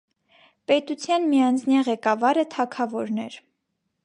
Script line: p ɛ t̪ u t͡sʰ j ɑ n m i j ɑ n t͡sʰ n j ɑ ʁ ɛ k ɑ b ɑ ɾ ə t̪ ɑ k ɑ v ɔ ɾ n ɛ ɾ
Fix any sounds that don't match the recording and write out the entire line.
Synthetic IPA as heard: p ɛ t̪ u t͡sʰ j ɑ n m i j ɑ n t͡sʰ n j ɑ ʁ ɛ k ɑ v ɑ ɾ ə t̪ʰ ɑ kʰ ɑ v ɔ ɾ n ɛ ɾ

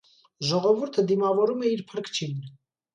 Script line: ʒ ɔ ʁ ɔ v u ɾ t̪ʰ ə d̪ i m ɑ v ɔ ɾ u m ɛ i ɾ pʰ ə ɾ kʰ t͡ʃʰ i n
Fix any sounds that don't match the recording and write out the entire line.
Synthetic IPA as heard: ʒ ɔ ʁ ɔ v u ɾ t̪ʰ ə d̪ i m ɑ v ɔ ɾ u m ɛ i ɾ pʰ ə ɾ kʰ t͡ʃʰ i n

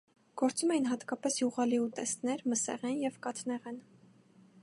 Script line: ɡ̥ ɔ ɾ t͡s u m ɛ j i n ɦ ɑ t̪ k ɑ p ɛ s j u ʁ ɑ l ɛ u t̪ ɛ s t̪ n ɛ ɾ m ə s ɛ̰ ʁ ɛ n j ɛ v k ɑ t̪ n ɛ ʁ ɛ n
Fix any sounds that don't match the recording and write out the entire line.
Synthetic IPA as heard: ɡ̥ ɔ ɾ t͡s u m ɛ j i n ɦ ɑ t̪ k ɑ p ɛ s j u ʁ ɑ l i u t̪ ɛ s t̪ n ɛ ɾ m ə s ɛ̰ ʁ ɛ n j ɛ v k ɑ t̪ n ɛ ʁ ɛ n

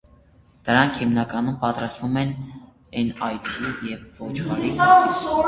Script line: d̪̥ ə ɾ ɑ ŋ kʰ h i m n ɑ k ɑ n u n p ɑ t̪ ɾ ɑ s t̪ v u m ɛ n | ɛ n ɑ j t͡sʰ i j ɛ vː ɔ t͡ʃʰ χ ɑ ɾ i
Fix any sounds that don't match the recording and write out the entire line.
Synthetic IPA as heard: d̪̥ ə ɾ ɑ ŋ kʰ h i m n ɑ k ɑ n u m p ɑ t̪ ɾ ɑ s t̪ v u m ɛ n | ɛ n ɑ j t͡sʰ i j ɛ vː ɔ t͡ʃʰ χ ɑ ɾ i

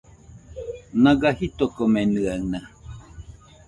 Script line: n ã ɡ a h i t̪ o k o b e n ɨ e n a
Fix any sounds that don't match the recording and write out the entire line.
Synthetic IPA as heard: n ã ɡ a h i t̪ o k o m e n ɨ a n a

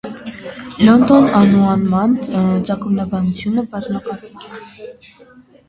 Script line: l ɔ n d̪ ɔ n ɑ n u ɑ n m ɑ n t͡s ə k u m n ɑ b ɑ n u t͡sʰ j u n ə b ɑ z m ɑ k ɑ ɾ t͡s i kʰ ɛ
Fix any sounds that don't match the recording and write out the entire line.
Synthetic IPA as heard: l ɔ n d̪ ɔ n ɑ n u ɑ n m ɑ n t͡s ɑ k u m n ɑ b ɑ n u t͡sʰ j u n ə b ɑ z m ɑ k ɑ ɾ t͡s i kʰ ɛ

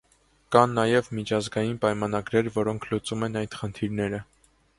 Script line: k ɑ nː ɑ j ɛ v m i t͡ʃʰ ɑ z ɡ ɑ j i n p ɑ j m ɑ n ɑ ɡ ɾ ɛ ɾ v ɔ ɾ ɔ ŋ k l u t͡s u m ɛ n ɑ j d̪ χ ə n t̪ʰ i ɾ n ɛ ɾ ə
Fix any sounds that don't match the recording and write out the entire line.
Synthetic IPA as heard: k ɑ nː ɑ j ɛ v m i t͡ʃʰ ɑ z ɡ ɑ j i n p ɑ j m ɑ n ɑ ɡ ɾ ɛ ɾ v ɔ ɾ ɔ ŋ kʰ l u t͡s u m ɛ n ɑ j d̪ χ ə n t̪ʰ i ɾ n ɛ ɾ ə

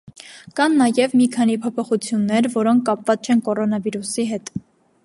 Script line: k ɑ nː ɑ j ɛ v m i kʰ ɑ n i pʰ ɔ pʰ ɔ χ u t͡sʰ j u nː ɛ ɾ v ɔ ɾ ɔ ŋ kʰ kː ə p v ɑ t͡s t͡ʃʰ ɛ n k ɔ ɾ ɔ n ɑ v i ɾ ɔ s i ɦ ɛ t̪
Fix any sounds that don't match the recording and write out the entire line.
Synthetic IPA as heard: k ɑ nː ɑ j ɛ v m i kʰ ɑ n i pʰ ɔ pʰ ɔ χ u t͡sʰ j u nː ɛ ɾ v ɔ ɾ ɔ ŋ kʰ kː ɑ p v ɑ t͡s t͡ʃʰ ɛ n k ɔ ɾ ɔ n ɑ v i ɾ u s i ɦ ɛ t̪

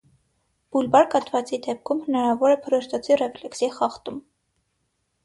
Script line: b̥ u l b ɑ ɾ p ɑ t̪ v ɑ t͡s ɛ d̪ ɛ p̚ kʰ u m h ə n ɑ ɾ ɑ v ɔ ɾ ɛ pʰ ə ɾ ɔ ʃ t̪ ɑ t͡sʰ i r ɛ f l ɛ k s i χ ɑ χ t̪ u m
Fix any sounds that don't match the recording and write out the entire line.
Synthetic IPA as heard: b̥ u l b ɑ ɾ k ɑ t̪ v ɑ t͡s i d̪ ɛ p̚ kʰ u m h ə n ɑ ɾ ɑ v ɔ ɾ ɛ pʰ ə ɾ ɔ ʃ t̪ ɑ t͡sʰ i r ɛ f l ɛ k s i χ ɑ χ t̪ u m

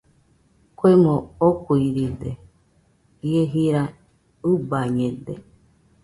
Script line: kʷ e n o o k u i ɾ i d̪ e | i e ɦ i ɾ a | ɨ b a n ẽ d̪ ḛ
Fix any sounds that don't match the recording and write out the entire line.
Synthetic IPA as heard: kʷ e m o o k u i ɾ i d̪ e | i e ɦ i ɾ a | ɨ b a ɲ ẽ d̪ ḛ

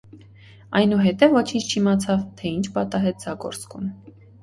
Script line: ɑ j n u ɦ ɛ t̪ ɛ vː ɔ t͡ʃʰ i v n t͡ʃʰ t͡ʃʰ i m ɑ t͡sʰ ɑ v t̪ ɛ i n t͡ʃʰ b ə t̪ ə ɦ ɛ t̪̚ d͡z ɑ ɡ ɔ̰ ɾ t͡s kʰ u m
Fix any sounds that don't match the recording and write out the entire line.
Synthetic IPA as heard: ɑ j n u ɦ ɛ t̪ ɛ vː ɔ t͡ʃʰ i n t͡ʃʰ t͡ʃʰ i m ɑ t͡sʰ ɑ v t̪ʰ ɛ i n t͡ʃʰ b ɑ t̪ ɑ ɦ ɛ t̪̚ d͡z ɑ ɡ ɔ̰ ɾ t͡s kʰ u m

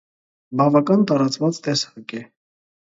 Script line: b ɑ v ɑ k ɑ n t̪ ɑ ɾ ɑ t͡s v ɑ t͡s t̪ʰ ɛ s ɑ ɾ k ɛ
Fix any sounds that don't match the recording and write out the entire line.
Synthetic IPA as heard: b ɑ v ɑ k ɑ n t̪ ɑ ɾ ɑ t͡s v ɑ t͡s t̪ ɛ s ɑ k ɛ

